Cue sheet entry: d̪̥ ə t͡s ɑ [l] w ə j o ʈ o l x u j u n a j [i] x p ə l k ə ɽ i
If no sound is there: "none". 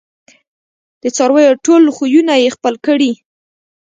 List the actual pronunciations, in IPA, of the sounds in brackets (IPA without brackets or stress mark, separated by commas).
ɾ, e